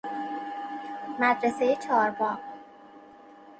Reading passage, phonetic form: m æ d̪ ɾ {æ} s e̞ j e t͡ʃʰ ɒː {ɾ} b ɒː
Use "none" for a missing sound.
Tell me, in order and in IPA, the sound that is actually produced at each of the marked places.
e, ɾ

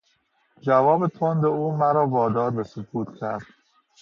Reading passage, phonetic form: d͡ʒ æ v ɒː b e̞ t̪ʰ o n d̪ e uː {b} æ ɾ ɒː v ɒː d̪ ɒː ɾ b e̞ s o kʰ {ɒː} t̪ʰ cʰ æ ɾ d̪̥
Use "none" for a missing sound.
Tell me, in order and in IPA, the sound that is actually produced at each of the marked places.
m, uː

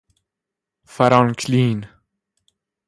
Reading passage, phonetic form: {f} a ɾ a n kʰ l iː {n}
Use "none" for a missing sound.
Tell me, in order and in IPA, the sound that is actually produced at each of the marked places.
f, n

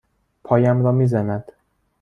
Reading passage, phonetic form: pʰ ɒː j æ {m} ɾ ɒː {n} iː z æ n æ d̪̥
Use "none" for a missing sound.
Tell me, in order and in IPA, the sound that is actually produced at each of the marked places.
m, m

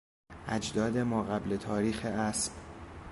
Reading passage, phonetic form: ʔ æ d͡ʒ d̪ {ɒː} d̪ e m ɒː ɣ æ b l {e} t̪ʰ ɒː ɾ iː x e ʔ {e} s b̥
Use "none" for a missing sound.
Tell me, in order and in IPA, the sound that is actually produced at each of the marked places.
ɒː, e, æ

